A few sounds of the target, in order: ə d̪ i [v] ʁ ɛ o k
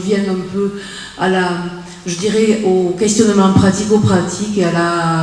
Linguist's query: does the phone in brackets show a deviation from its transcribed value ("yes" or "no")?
yes